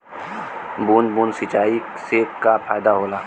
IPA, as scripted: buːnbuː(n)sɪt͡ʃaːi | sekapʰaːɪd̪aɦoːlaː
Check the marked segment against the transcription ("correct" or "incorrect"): correct